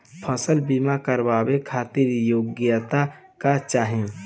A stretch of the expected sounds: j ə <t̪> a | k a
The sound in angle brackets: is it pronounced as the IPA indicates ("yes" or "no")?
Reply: yes